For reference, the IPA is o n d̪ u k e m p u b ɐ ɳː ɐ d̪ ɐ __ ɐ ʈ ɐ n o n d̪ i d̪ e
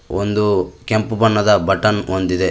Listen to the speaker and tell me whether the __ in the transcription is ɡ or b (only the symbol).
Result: b